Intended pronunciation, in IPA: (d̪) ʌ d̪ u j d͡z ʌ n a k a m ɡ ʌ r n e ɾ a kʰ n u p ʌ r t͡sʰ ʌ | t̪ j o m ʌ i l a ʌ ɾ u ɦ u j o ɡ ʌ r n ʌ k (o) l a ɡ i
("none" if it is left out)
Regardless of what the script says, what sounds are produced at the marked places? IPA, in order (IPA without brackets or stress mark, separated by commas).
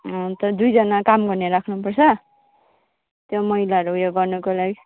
t̪, o